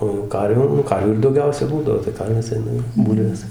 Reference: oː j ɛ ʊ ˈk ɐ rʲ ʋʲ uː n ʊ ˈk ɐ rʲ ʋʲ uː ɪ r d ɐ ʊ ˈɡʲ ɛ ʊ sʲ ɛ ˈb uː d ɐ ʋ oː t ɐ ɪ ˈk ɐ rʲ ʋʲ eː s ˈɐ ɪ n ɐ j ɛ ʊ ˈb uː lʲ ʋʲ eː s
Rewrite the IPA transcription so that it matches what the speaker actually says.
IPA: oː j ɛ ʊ ˈk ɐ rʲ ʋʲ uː n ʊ ˈk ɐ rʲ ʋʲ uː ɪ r d ɐ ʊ ˈɡʲ ɛ ʊ sʲ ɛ ˈb uː d ɐ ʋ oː t ɐ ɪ ˈk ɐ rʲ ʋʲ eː s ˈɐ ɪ n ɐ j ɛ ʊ ˈb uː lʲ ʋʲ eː s

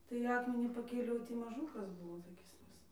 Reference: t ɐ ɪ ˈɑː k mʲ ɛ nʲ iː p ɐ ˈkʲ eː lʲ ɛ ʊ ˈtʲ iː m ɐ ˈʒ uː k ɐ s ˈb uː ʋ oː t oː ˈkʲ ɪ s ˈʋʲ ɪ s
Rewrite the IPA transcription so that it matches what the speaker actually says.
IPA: t ɐ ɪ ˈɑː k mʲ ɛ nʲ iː p ɐ ˈkʲ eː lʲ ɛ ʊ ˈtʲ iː m ɐ ˈʒ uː k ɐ s ˈb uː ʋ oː t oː ˈkʲ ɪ s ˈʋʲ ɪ s

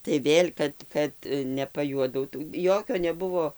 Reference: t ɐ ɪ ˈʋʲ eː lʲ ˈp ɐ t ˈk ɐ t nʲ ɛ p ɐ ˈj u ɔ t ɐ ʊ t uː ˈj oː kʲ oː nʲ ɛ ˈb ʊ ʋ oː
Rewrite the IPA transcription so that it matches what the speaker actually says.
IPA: t ɐ ɪ ˈʋʲ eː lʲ ˈk ɐ t ˈk ɐ t nʲ ɛ p ɐ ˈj u ɔ d ɐ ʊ t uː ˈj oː kʲ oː nʲ ɛ ˈb ʊ ʋ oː

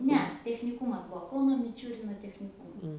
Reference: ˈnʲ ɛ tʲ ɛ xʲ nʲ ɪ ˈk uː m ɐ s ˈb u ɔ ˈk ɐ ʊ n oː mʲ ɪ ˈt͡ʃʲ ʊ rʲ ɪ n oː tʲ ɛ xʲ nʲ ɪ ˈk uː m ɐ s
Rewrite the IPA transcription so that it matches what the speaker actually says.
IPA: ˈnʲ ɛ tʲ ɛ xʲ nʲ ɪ ˈk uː m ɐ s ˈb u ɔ ˈk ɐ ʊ n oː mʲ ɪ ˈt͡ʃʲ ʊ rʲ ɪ n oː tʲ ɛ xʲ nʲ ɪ ˈk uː m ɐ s

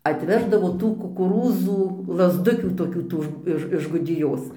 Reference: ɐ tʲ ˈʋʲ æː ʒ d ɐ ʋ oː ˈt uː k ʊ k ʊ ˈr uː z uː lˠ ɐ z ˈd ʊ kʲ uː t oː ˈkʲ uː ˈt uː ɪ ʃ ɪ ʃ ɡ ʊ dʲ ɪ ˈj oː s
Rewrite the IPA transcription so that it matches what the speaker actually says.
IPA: ɐ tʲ ˈʋʲ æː ʒ d ɐ ʋ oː ˈt uː k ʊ k ʊ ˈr uː z uː lˠ ɐ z ˈd ʊ kʲ uː t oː ˈkʲ uː ˈt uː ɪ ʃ ɪ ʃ ɡ ʊ dʲ ɪ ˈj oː s

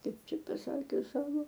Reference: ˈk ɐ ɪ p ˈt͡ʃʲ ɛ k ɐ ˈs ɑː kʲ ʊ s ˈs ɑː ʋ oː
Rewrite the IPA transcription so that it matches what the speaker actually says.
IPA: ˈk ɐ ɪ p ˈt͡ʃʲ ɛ p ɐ ˈs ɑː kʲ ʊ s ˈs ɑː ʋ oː

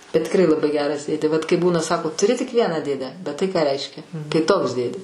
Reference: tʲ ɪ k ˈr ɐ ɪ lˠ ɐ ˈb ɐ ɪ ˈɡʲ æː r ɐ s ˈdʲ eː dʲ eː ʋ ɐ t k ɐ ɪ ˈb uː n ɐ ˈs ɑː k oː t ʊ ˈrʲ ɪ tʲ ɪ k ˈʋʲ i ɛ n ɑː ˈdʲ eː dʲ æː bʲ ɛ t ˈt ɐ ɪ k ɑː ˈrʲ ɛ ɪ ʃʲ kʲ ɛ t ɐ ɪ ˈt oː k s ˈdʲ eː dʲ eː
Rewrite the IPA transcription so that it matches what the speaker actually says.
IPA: tʲ ɪ k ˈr ɐ ɪ lˠ ɐ ˈb ɐ ɪ ˈɡʲ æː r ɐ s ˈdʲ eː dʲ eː ʋ ɐ t k ɐ ɪ ˈb uː n ɐ ˈs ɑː k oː t ʊ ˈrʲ ɪ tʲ ɪ k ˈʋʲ i ɛ n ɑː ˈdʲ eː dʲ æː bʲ ɛ t ˈt ɐ ɪ k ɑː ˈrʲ ɛ ɪ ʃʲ kʲ ɛ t ɐ ɪ ˈt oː k s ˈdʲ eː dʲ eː

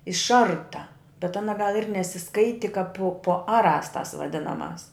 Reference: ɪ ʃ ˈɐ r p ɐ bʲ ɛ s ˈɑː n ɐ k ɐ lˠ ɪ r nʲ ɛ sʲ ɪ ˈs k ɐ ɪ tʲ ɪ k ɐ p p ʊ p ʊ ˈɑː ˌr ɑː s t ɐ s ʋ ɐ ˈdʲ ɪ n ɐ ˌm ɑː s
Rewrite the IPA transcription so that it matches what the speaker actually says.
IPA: ɪ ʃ ˈɐ r t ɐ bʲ ɛ t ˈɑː n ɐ ɡ ɐ lˠ ɪ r nʲ ɛ sʲ ɪ ˈs k ɐ ɪ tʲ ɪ k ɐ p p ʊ p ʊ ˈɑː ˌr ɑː s t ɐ s ʋ ɐ ˈdʲ ɪ n ɐ ˌm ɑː s

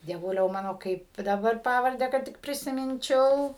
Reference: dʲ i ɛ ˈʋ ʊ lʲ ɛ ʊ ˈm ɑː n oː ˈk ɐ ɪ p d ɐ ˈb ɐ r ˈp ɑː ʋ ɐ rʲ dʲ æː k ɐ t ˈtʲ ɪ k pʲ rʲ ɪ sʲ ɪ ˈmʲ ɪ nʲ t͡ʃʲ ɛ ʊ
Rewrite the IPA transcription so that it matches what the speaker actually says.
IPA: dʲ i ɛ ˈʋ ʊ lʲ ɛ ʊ ˈm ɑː n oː ˈk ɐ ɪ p d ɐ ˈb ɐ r ˈp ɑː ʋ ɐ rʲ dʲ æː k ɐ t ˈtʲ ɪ k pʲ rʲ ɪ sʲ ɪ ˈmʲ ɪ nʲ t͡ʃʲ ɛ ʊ

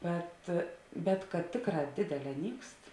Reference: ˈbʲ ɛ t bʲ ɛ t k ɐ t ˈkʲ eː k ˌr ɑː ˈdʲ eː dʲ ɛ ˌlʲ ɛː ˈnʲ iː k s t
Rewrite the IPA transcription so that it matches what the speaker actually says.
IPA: ˈbʲ ɛ t bʲ ɛ t k ɐ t ˈtʲ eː k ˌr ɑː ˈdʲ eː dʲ ɛ ˌlʲ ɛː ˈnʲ iː k s t

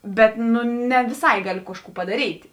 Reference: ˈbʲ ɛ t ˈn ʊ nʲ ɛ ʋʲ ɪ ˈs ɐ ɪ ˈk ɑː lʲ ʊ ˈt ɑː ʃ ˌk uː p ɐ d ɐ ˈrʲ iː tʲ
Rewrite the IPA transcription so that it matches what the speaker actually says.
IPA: ˈbʲ ɛ t ˈn ʊ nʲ ɛ ʋʲ ɪ ˈs ɐ ɪ ˈɡ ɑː lʲ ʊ ˈk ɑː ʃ ˌk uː p ɐ d ɐ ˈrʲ iː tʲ

